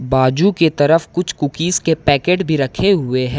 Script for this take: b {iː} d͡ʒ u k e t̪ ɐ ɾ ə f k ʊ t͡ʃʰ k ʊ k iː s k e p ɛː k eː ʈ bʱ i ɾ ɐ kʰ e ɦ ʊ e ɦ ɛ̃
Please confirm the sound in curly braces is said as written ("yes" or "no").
no